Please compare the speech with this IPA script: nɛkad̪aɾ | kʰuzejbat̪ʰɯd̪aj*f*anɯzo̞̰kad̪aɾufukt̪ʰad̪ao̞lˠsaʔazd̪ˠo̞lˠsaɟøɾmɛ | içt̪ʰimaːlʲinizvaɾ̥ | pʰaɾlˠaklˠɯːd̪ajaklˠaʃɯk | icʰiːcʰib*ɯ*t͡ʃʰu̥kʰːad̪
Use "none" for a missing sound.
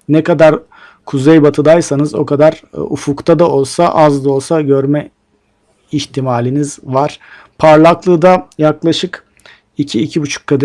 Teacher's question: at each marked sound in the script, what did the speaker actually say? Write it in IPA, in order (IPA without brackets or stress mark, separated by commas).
s, u